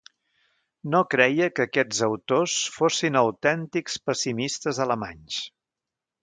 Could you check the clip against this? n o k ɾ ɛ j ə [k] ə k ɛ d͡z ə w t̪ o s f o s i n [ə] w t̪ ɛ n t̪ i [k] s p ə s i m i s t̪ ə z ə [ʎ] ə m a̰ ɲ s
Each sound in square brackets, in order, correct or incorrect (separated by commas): correct, correct, correct, incorrect